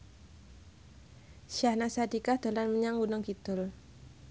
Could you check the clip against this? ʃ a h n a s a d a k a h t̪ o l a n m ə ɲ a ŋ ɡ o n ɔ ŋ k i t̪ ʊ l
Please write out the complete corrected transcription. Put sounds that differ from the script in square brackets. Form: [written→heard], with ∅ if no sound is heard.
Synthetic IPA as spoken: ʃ a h n a s a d [a→i] k a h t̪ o l a n m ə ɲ a ŋ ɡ [o→u] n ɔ ŋ k i t̪ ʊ l

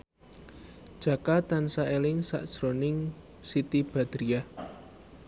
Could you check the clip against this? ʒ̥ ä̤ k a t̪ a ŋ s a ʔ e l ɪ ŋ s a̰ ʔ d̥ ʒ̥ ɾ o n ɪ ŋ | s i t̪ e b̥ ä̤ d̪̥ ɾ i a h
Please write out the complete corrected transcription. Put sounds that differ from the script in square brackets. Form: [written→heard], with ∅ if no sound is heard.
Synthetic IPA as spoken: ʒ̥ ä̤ k a t̪ a [ŋ→n] s a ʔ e l ɪ ŋ s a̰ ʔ d̥ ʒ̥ ɾ o n ɪ ŋ | s i t̪ [e→i] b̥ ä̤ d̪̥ ɾ i a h

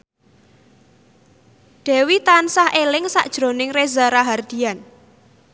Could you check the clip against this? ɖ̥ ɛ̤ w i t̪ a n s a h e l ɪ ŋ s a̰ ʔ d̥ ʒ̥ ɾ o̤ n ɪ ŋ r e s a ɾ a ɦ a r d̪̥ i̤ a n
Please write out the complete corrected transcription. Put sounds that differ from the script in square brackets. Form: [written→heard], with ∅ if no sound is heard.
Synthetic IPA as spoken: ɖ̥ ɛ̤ w i t̪ a n s a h e l ɪ ŋ s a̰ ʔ d̥ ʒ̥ ɾ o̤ n ɪ ŋ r e [s→z] a ɾ a ɦ a r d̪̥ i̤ a n

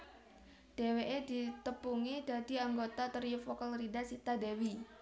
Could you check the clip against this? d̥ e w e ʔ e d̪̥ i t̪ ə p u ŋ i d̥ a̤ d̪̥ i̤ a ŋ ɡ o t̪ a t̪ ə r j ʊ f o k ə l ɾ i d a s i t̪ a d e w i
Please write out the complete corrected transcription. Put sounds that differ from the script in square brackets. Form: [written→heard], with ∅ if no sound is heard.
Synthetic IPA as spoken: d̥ e w e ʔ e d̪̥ i t̪ ə p u ŋ i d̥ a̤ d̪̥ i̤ a ŋ ɡ o t̪ a t̪ ə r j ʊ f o k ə l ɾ i d a s i t̪ a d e w i

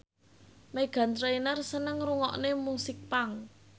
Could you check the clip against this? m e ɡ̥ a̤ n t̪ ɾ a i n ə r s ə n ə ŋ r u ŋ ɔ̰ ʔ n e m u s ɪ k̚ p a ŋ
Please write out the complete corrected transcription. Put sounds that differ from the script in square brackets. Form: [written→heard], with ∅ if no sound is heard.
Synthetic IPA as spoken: m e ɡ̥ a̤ n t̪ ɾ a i n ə r s ə n ə ŋ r u ŋ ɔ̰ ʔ n e m u s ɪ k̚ p a ŋ

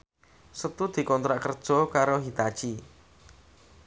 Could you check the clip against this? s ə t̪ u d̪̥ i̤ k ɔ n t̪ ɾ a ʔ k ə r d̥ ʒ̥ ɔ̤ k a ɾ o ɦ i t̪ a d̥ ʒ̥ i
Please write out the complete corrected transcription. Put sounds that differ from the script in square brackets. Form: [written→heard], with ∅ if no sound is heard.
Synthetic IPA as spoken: s ə t̪ u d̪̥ i̤ k ɔ n t̪ ɾ a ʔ k ə r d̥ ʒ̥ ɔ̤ k a ɾ o ɦ i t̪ a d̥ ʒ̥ i

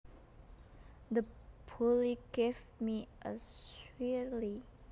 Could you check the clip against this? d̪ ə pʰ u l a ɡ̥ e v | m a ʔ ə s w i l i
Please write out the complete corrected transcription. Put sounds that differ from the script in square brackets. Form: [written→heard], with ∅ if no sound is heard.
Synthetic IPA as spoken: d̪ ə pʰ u l [a→i] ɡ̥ e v | m [a→i] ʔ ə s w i l i

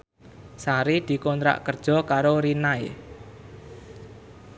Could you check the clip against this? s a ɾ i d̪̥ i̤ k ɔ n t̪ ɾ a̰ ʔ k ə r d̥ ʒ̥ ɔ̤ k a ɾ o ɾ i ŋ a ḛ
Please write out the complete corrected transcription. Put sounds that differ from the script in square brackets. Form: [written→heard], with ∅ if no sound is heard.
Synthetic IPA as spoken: s a ɾ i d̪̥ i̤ k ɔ n t̪ ɾ a̰ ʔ k ə r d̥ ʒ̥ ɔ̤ k a ɾ o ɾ i [ŋ→n] a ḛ

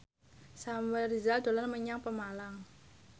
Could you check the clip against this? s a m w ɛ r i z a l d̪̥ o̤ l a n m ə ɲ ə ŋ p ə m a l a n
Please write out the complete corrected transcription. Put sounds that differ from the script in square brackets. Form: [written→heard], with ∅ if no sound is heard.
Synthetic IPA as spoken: s a m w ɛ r i z a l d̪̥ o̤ l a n m ə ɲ [ə→a] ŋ p ə m a l a [n→ŋ]

